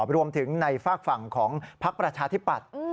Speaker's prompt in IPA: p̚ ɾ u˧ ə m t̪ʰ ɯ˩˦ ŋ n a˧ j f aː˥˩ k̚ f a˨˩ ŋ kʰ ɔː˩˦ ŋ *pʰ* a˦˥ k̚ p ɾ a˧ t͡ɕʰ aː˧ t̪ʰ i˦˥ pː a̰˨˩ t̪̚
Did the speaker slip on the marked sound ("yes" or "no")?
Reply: no